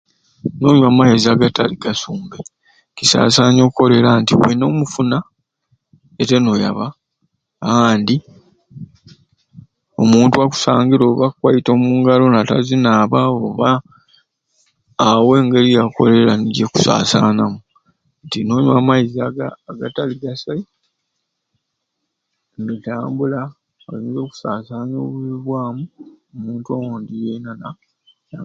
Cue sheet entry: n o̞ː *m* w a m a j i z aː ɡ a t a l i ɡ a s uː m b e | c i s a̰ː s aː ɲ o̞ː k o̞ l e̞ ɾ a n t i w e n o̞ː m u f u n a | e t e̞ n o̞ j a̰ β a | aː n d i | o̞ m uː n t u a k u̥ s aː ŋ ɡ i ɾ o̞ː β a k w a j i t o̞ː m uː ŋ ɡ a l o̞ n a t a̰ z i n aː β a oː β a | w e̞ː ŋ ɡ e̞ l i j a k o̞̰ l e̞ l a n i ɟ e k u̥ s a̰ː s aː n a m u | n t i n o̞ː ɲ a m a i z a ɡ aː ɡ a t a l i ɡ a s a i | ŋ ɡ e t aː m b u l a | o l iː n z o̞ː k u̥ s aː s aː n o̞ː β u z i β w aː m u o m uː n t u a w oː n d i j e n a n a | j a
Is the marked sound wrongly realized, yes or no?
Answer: yes